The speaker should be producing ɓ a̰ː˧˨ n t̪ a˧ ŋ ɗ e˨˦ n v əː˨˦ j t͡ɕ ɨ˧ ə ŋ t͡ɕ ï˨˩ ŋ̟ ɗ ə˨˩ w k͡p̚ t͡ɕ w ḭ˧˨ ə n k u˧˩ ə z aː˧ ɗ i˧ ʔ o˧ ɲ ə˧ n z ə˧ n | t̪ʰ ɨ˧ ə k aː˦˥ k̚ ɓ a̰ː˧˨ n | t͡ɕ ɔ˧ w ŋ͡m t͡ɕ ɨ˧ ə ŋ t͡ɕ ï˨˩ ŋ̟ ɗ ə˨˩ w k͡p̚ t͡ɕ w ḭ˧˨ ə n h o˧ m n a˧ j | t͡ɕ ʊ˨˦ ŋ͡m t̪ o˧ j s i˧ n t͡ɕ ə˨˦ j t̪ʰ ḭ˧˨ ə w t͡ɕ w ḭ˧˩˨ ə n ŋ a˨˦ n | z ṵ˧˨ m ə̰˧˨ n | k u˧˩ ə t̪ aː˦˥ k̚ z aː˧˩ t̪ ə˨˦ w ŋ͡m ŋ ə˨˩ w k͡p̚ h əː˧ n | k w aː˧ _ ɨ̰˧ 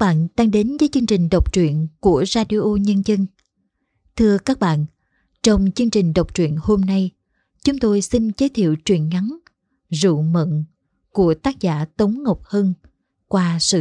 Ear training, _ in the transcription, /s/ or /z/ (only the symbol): s